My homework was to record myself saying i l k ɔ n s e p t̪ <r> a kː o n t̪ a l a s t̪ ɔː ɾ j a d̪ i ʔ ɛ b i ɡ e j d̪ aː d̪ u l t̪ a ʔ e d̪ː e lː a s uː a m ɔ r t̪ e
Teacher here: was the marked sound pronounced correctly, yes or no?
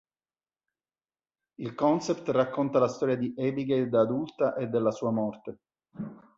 yes